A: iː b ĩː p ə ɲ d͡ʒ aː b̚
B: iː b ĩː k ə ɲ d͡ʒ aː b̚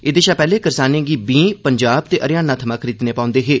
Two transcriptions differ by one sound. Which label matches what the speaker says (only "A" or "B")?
A